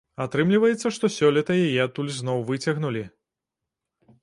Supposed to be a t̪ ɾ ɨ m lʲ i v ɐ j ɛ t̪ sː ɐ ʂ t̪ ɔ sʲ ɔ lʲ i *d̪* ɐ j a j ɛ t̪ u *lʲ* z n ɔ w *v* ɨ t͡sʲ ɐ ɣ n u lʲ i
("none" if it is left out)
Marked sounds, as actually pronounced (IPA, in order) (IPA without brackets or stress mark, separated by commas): t̪, lʲ, v